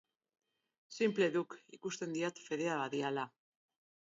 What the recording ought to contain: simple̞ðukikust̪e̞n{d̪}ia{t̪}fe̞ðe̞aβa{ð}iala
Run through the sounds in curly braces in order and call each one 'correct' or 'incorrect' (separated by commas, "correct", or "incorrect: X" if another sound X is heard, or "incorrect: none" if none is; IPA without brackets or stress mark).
correct, correct, correct